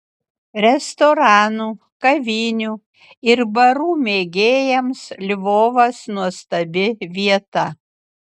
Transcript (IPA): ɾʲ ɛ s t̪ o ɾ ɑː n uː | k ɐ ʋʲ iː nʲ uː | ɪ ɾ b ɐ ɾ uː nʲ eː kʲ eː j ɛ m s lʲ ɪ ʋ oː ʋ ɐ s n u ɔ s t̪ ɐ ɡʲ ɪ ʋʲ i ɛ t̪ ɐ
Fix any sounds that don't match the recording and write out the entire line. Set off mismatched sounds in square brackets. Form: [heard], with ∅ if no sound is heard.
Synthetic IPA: ɾʲ ɛ s t̪ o ɾ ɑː n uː | k ɐ ʋʲ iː nʲ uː | ɪ ɾ b ɐ ɾ uː [mʲ] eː [ɡʲ] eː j ɛ m s lʲ ɪ ʋ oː ʋ ɐ s n u ɔ s t̪ ɐ [bʲ] ɪ ʋʲ i ɛ t̪ ɐ

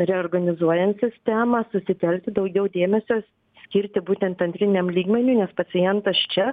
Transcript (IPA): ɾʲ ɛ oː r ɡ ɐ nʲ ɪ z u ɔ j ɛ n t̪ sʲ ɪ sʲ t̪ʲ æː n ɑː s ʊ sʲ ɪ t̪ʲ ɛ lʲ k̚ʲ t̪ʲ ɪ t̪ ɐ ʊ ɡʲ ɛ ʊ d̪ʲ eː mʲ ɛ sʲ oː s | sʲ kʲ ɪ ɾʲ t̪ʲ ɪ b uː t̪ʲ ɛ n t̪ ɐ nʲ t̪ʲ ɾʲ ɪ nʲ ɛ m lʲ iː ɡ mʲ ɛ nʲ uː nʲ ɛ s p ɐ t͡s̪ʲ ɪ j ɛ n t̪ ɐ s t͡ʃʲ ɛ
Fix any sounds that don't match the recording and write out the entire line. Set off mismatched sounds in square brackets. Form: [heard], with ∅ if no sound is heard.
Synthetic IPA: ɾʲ ɛ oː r ɡ ɐ nʲ ɪ z u ɔ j ɛ n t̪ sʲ ɪ sʲ t̪ʲ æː [m] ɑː s ʊ sʲ ɪ t̪ʲ ɛ lʲ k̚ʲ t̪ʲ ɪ [d̪] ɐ ʊ ɡʲ ɛ ʊ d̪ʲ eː mʲ ɛ sʲ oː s | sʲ kʲ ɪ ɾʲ t̪ʲ ɪ b uː t̪ʲ ɛ n t̪ ɐ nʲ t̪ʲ ɾʲ ɪ nʲ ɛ m lʲ iː ɡ mʲ ɛ nʲ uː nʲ ɛ s p ɐ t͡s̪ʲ ɪ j ɛ n t̪ ɐ s t͡ʃʲ ɛ

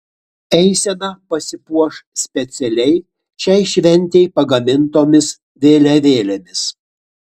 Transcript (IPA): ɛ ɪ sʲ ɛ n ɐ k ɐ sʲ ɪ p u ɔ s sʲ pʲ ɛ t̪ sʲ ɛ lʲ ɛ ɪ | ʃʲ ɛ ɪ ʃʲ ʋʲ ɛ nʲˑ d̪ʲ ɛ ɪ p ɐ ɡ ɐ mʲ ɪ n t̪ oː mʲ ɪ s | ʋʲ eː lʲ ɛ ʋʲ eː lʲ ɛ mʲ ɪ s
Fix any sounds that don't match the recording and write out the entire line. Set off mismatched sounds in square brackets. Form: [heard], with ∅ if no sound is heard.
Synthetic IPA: ɛ ɪ sʲ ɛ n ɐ [p] ɐ sʲ ɪ p u ɔ [ʃ] sʲ pʲ ɛ t̪ sʲ ɛ lʲ ɛ ɪ | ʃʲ ɛ ɪ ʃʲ ʋʲ ɛ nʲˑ [t̪ʲ] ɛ ɪ p ɐ ɡ ɐ mʲ ɪ n t̪ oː mʲ ɪ s | ʋʲ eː lʲ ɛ ʋʲ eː lʲ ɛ mʲ ɪ s

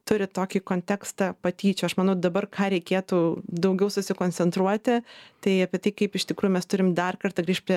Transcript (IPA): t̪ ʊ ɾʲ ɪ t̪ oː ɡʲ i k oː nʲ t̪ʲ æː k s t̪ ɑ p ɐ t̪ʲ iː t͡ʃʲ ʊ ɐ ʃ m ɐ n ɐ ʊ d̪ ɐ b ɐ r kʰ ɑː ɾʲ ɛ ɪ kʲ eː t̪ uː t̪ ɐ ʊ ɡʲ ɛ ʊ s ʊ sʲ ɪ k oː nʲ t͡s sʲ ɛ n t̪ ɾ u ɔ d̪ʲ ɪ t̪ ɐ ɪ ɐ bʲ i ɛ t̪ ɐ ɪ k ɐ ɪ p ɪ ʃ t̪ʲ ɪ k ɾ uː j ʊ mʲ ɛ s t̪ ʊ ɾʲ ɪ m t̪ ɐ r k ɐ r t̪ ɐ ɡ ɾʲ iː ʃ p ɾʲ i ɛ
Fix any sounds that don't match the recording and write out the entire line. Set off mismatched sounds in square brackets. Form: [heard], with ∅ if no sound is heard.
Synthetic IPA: t̪ ʊ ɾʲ ɪ t̪ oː [kʲ] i k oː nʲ t̪ʲ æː k s t̪ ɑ p ɐ t̪ʲ iː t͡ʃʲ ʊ ɐ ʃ m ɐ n ɐ ʊ d̪ ɐ b ɐ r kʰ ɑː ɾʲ ɛ ɪ kʲ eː t̪ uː [d̪] ɐ ʊ ɡʲ ɛ ʊ s ʊ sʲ ɪ k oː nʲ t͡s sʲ ɛ n t̪ ɾ u ɔ [t̪ʲ] ɪ t̪ ɐ ɪ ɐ [pʲ] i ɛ t̪ ɐ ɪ k ɐ ɪ p ɪ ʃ t̪ʲ ɪ k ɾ uː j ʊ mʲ ɛ s t̪ ʊ ɾʲ ɪ m [d̪] ɐ r k ɐ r t̪ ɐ ɡ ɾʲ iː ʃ p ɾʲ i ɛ

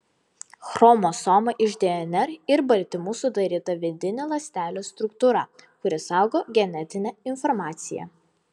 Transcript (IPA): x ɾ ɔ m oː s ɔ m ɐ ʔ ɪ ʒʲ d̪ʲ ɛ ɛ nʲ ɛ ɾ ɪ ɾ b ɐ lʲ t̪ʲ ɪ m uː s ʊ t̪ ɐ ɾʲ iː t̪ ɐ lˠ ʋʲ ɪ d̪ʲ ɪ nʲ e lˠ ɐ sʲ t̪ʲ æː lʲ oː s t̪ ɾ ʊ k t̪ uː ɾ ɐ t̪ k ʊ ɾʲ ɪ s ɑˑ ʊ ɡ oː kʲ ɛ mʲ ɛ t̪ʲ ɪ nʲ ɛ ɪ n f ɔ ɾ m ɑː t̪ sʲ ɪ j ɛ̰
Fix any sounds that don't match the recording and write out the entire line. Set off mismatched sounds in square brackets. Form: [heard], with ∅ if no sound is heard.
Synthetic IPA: x ɾ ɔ m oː s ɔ m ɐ ʔ ɪ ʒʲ d̪ʲ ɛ ɛ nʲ ɛ ɾ ɪ ɾ b ɐ lʲ t̪ʲ ɪ m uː s ʊ [d̪] ɐ ɾʲ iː t̪ ɐ [∅] ʋʲ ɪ d̪ʲ ɪ nʲ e lˠ ɐ sʲ t̪ʲ æː lʲ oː s t̪ ɾ ʊ k t̪ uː ɾ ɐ [∅] k ʊ ɾʲ ɪ s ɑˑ ʊ ɡ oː [ɡʲ] ɛ [nʲ] ɛ t̪ʲ ɪ nʲ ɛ ɪ n f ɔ ɾ m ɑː t̪ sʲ ɪ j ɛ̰

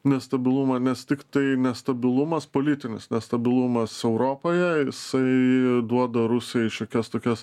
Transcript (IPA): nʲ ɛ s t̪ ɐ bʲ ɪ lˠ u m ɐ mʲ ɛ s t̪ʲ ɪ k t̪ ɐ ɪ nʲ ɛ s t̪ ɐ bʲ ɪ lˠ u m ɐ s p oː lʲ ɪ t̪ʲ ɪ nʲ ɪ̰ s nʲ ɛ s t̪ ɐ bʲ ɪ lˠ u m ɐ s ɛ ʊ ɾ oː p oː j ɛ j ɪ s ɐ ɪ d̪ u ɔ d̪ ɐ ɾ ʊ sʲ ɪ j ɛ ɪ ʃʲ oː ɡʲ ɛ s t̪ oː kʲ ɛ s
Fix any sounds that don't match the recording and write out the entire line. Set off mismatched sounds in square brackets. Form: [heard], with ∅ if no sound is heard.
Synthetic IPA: nʲ ɛ s t̪ ɐ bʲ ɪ lˠ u m ɐ [nʲ] ɛ s t̪ʲ ɪ k t̪ ɐ ɪ nʲ ɛ s t̪ ɐ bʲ ɪ lˠ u m ɐ s p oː lʲ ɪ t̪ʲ ɪ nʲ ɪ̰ s nʲ ɛ s t̪ ɐ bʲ ɪ lˠ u m ɐ s ɛ ʊ ɾ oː p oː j ɛ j ɪ s ɐ ɪ d̪ u ɔ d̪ ɐ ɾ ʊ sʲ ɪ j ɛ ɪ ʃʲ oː [kʲ] ɛ s t̪ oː kʲ ɛ s

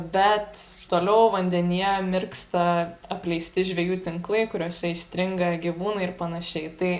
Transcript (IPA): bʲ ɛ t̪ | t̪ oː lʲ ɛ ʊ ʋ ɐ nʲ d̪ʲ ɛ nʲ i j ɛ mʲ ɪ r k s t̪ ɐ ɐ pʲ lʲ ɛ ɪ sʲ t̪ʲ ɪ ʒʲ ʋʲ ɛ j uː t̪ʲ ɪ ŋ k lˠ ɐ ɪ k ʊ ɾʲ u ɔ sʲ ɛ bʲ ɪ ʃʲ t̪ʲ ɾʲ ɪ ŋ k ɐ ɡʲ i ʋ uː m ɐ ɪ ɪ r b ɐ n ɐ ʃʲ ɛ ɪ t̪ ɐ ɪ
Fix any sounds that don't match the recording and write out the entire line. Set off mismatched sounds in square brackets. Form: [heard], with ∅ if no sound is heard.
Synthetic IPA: bʲ ɛ t̪ | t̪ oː lʲ ɛ ʊ ʋ ɐ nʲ d̪ʲ ɛ nʲ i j ɛ mʲ ɪ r k s t̪ ɐ ɐ pʲ lʲ ɛ ɪ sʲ t̪ʲ ɪ ʒʲ ʋʲ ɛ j uː t̪ʲ ɪ ŋ k lˠ ɐ ɪ k ʊ ɾʲ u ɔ sʲ ɛ [∅] ɪ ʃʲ t̪ʲ ɾʲ ɪ ŋ [ɡ] ɐ ɡʲ i ʋ uː [n] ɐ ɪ ɪ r [p] ɐ n ɐ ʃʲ ɛ ɪ t̪ ɐ ɪ

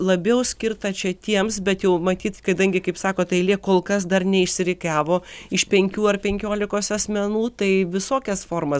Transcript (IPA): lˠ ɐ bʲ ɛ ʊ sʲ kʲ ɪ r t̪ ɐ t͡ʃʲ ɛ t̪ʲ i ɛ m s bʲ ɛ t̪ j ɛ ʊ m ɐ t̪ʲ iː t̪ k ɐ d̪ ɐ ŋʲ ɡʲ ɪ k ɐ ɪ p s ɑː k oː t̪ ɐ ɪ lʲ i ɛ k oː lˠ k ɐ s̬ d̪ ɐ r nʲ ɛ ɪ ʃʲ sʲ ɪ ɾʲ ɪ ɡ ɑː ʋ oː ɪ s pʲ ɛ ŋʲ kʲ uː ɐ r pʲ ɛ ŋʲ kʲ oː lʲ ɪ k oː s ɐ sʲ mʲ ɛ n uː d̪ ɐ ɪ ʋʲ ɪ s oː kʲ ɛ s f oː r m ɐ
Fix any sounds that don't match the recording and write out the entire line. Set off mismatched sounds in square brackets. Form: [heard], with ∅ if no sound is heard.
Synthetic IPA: lˠ ɐ bʲ ɛ ʊ sʲ kʲ ɪ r t̪ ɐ t͡ʃʲ ɛ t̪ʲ i ɛ m s bʲ ɛ t̪ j ɛ ʊ m ɐ t̪ʲ iː t̪ k ɐ d̪ ɐ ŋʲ ɡʲ ɪ k ɐ ɪ p s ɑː k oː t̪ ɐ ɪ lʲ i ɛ k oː lˠ k ɐ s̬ d̪ ɐ r nʲ ɛ ɪ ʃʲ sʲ ɪ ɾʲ ɪ [k] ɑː ʋ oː ɪ [ʃ] pʲ ɛ ŋʲ kʲ uː ɐ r pʲ ɛ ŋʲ kʲ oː lʲ ɪ k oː s ɐ sʲ mʲ ɛ n uː [t̪] ɐ ɪ ʋʲ ɪ s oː kʲ ɛ s f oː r m ɐ

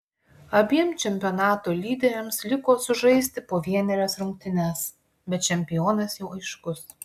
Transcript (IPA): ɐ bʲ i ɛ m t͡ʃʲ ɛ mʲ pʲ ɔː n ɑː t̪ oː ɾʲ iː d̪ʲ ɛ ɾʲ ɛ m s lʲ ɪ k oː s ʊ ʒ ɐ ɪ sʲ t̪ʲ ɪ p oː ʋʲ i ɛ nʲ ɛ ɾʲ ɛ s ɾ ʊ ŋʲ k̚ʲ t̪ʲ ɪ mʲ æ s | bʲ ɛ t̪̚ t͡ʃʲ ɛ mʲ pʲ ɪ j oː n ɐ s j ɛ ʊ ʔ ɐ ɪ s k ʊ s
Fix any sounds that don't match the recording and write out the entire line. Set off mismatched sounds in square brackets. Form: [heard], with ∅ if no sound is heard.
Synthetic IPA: ɐ bʲ i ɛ m t͡ʃʲ ɛ mʲ pʲ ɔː n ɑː t̪ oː [lʲ] iː d̪ʲ ɛ ɾʲ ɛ m s lʲ ɪ k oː s ʊ ʒ ɐ ɪ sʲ t̪ʲ ɪ p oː ʋʲ i ɛ nʲ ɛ ɾʲ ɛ s ɾ ʊ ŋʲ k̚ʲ t̪ʲ ɪ [nʲ] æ s | bʲ ɛ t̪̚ t͡ʃʲ ɛ mʲ pʲ ɪ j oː n ɐ s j ɛ ʊ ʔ ɐ ɪ [ʃ] k ʊ s

